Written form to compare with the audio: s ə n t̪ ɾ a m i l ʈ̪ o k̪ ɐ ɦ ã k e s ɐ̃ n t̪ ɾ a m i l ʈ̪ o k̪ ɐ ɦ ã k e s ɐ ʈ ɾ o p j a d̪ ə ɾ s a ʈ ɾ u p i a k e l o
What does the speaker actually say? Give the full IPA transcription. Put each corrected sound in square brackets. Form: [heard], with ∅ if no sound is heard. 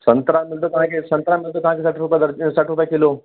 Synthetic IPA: s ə n t̪ ɾ a m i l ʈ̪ o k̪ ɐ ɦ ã k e s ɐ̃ n t̪ ɾ a m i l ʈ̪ o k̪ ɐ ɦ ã k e s [a] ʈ ɾ [u] p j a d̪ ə ɾ s a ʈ ɾ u p [j] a k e l o

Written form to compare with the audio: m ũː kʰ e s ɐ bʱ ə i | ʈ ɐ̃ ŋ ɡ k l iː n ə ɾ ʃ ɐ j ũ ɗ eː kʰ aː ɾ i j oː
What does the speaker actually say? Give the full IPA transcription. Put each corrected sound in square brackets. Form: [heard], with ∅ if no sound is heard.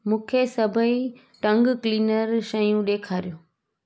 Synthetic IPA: m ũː kʰ e s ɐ bʱ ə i | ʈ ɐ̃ ŋ ɡ k l iː n ə ɾ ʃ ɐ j ũ ɗ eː kʰ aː ɾ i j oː

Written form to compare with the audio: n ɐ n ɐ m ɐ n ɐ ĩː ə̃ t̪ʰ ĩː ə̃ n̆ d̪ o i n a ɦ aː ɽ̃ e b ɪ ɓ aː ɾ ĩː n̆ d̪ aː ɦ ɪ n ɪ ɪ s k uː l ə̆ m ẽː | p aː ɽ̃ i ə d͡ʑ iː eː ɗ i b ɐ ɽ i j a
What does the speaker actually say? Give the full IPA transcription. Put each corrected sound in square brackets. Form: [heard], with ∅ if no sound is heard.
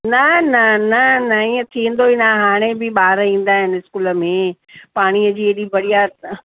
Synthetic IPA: n ɐ n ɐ [n] ɐ n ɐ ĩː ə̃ t̪ʰ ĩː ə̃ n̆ d̪ o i n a ɦ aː ɽ̃ e b ɪ ɓ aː ɾ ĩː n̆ d̪ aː ɦ ɪ n ɪ ɪ s k uː l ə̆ m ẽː | p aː ɽ̃ i ə d͡ʑ iː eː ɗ i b ɐ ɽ i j a

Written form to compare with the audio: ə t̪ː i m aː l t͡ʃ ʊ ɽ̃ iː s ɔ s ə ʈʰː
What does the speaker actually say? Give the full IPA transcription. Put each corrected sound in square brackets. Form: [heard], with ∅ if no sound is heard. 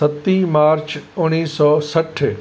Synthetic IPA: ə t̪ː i m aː [ɾ] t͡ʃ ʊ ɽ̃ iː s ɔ s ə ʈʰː

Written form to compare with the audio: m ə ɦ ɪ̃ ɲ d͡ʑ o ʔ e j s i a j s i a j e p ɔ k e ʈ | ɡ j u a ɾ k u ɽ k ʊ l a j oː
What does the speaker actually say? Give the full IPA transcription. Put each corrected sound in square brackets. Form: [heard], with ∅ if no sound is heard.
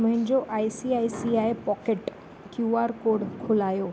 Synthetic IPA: m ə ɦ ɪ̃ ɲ d͡ʑ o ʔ [a] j s i a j s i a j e p ɔ k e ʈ | [k] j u a ɾ k [o] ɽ [kʰ] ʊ l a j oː

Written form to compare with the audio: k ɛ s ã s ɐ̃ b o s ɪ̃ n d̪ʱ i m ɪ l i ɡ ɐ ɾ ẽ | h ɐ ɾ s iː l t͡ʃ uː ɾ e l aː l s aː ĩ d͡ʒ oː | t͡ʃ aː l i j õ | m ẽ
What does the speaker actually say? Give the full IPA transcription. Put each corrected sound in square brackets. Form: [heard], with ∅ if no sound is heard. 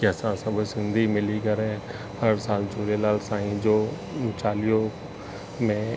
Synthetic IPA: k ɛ s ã s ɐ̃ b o s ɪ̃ n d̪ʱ i m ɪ l i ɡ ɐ ɾ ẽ | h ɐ ɾ s [aː] l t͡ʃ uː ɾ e l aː l s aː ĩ d͡ʒ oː | t͡ʃ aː l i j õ | m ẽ

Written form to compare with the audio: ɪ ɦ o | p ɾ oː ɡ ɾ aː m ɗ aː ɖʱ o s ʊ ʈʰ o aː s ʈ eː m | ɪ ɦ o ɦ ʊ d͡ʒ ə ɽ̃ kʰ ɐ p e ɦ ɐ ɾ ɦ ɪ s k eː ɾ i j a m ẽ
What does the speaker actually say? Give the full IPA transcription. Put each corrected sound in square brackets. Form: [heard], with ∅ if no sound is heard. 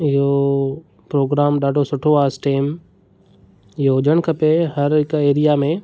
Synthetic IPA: ɪ ɦ o | p ɾ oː ɡ ɾ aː m ɗ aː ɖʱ o s ʊ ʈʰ o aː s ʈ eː m | ɪ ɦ o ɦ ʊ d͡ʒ ə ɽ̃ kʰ ɐ p e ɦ ɐ ɾ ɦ ɪ [∅] k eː ɾ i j a m ẽ

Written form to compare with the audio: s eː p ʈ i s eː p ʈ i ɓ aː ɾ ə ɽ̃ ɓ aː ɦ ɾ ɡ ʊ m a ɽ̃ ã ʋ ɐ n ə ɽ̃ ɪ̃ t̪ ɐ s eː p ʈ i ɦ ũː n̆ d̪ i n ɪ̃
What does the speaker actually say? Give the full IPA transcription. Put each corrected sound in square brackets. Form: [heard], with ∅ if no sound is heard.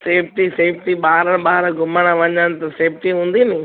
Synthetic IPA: s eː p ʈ i s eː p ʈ i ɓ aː ɾ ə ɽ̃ ɓ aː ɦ ɾ ɡ ʊ m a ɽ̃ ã ʋ ɐ [ɲ] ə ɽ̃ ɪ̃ t̪ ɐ s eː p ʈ i ɦ ũː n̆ d̪ i n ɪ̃

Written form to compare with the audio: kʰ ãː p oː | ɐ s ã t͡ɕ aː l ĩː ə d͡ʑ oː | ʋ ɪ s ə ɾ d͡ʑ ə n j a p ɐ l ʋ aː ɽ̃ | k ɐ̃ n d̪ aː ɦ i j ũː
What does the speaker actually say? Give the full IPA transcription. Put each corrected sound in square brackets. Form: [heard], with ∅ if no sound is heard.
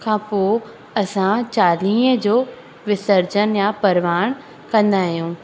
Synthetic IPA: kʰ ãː p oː | ɐ s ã t͡ɕ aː l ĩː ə d͡ʑ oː | ʋ ɪ s ə ɾ d͡ʑ ə n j a p ɐ [ɾ] ʋ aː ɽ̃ | k ɐ̃ n d̪ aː ɦ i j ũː

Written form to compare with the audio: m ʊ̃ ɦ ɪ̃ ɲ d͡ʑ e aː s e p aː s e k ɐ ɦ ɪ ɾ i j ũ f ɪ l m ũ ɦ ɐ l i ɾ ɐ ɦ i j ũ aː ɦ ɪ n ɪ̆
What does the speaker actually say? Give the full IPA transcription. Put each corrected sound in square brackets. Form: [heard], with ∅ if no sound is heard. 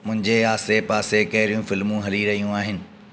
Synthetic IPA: m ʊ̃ ɦ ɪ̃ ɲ d͡ʑ e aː s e p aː s e k ɐ ɦ ɪ ɾ i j ũ f ɪ l m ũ ɦ ɐ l i ɾ ɐ ɦ i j ũ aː ɦ ɪ n ɪ̆

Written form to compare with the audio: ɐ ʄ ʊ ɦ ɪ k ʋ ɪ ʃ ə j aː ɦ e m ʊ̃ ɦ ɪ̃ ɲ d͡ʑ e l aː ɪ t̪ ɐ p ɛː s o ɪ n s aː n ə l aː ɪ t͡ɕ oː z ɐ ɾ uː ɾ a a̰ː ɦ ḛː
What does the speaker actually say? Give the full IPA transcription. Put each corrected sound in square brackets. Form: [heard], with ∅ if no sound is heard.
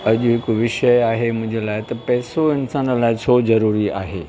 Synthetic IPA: ɐ ʄ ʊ ɦ ɪ k ʋ ɪ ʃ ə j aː ɦ e m ʊ̃ ɦ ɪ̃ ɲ d͡ʑ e l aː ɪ t̪ ɐ p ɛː s o ɪ n s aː n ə l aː ɪ [t͡ɕʰ] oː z ɐ ɾ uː ɾ [i] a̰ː ɦ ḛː

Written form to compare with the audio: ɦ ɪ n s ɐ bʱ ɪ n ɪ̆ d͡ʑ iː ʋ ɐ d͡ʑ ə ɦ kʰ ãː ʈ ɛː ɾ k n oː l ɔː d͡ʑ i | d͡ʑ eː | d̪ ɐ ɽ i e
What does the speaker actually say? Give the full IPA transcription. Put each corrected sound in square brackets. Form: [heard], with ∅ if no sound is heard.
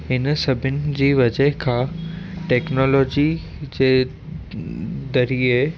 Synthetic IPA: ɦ ɪ n s ɐ bʱ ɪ n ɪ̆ d͡ʑ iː ʋ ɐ d͡ʑ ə ɦ kʰ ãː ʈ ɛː [∅] k n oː l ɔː d͡ʑ i | d͡ʑ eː | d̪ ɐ [ɾ] i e

